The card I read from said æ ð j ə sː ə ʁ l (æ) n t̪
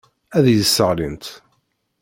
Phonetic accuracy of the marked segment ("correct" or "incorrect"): incorrect